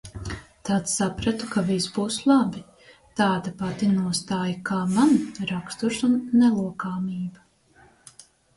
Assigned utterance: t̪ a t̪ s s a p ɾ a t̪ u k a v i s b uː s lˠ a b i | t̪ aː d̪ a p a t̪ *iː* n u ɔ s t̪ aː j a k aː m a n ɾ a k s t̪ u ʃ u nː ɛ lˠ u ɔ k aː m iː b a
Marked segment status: incorrect: i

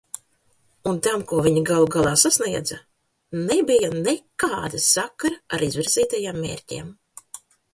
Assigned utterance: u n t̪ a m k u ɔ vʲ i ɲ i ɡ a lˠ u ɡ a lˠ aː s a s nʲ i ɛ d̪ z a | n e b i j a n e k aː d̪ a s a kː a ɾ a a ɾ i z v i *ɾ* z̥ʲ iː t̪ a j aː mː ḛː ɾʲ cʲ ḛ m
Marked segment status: correct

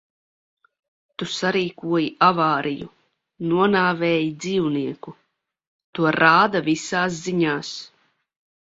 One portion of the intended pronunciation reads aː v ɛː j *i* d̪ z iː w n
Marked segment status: correct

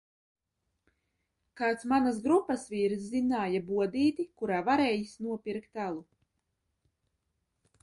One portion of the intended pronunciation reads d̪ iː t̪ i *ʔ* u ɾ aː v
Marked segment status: incorrect: k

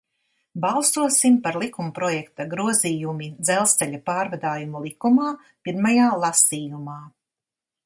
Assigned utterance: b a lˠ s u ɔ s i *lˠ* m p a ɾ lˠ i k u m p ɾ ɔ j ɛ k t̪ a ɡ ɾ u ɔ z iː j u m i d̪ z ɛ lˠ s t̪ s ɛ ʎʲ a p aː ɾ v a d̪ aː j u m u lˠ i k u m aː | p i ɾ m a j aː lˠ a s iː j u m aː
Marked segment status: incorrect: none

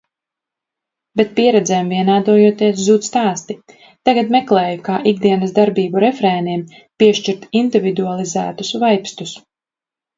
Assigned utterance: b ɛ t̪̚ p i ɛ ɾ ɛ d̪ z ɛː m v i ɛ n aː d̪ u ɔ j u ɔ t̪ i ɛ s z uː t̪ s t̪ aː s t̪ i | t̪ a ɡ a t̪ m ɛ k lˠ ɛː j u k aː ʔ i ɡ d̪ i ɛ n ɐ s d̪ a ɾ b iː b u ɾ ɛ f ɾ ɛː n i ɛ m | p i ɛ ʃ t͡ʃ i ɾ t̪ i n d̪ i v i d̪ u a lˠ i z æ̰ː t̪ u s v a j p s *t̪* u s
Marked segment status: correct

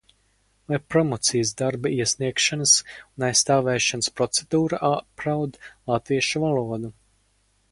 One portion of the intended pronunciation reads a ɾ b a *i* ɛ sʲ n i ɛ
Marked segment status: correct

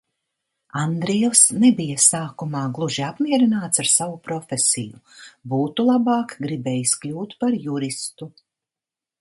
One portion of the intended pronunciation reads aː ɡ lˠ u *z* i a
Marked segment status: incorrect: ʒ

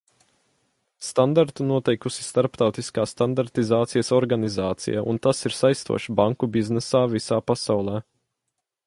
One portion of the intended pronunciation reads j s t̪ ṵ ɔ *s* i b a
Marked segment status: incorrect: ʃ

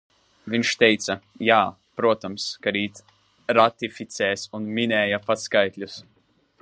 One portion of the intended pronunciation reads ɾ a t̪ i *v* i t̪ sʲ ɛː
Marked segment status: incorrect: f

